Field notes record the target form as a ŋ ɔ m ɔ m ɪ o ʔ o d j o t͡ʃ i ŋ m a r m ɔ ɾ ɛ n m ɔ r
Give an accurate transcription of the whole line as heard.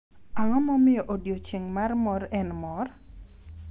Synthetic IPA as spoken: a ŋ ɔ m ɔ m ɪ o ʔ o d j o t͡ʃ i ŋ m a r m ɔ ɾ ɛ n m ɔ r

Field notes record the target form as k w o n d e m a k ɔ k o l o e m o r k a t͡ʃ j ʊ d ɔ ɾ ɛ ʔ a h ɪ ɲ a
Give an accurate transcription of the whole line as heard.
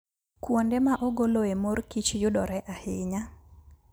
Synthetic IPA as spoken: k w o n d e m a ʔ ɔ ɡ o l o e m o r k i t͡ʃ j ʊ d ɔ ɾ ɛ ʔ a h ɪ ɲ a

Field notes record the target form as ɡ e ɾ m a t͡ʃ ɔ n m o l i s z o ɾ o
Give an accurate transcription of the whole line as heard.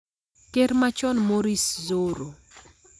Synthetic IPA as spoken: k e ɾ m a t͡ʃ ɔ n m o ɾ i s z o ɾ o

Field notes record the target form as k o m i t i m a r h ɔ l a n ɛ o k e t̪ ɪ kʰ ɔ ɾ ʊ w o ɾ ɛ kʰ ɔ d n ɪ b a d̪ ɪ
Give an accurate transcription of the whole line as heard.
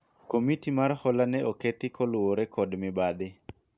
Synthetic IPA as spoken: k o m i t i m a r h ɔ l a n ɛ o k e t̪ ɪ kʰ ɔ l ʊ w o ɾ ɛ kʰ ɔ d m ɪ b a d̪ ɪ

